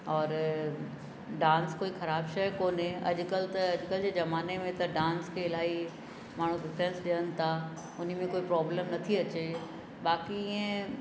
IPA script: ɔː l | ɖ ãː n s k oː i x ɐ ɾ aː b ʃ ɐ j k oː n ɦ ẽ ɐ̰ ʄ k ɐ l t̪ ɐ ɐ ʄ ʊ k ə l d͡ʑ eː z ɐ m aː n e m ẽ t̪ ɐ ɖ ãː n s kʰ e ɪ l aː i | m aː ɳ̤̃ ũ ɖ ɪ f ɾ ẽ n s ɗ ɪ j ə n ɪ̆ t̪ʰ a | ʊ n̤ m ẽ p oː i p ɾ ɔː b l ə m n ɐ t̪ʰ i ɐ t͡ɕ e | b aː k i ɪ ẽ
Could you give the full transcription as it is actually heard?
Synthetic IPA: ɔː ɾ | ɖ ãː n s k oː i x ɐ ɾ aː b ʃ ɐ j k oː n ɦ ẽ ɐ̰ ʄ k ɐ l t̪ ɐ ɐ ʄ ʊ k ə l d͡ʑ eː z ɐ m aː n e m ẽ t̪ ɐ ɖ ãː n s kʰ e ɪ l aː i | m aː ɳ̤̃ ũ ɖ ɪ f ɾ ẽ n s ɗ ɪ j ə n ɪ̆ t̪ʰ a | ʊ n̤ m ẽ k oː i p ɾ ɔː b l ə m n ɐ t̪ʰ i ɐ t͡ɕ e | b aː k i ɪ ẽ